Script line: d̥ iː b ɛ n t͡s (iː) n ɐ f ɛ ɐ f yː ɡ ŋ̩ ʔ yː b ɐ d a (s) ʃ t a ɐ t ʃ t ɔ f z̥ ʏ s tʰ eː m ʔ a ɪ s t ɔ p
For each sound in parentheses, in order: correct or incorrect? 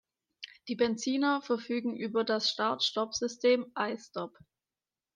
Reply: correct, correct

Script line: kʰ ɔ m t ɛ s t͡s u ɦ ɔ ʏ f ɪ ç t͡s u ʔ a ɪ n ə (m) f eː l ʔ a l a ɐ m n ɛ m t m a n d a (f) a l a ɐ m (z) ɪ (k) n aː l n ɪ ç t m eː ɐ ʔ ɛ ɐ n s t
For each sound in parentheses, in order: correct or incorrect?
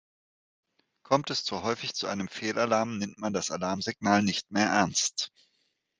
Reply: correct, incorrect, correct, incorrect

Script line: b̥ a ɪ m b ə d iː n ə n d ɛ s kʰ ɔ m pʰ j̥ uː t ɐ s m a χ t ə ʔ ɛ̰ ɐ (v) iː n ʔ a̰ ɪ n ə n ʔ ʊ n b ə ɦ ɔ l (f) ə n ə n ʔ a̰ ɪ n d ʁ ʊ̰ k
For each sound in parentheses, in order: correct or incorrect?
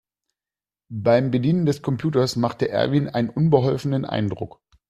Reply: correct, correct

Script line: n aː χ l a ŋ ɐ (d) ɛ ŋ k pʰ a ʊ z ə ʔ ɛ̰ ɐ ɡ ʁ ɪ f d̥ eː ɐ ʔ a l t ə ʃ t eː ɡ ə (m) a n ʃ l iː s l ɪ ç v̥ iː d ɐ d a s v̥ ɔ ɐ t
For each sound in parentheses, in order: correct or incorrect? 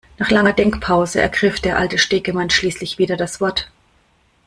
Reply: correct, correct

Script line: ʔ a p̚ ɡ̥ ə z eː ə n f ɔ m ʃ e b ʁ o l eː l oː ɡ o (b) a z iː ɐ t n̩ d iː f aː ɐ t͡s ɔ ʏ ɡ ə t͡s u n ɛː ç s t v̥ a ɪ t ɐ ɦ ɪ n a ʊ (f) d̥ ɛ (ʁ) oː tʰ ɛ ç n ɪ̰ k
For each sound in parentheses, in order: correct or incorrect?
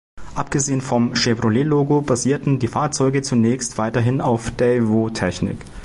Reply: correct, correct, incorrect

